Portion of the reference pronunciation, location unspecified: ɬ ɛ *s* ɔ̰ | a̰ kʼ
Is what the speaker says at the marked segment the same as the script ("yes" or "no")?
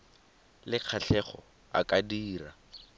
no